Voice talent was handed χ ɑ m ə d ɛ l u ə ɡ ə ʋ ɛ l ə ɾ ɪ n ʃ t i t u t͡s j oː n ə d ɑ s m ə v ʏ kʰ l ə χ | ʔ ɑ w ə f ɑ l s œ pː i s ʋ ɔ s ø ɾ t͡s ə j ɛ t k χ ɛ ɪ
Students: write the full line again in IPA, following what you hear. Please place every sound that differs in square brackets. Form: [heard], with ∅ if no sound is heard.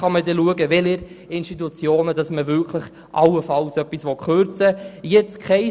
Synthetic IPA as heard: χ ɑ m ə d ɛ l u ə ɡ ə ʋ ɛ l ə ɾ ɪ n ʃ t i t u t͡s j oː n ə d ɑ s m ə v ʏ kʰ l ə χ | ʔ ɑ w ə f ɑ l s œ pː i s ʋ ɔ [χ] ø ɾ t͡s ə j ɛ [t͡s] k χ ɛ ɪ